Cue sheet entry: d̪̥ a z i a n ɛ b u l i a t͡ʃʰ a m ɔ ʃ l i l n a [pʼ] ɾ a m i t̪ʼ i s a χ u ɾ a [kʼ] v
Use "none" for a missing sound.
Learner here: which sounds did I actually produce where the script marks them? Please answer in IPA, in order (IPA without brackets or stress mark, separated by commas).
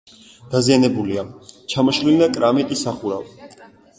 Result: kʼ, none